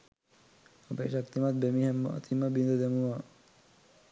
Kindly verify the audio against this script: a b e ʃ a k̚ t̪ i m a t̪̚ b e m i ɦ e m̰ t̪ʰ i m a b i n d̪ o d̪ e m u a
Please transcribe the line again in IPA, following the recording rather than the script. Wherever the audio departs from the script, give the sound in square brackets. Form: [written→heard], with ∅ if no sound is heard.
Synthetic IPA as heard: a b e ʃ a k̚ t̪ i m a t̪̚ b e m i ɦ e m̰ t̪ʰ i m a b i n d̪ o d̪ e m u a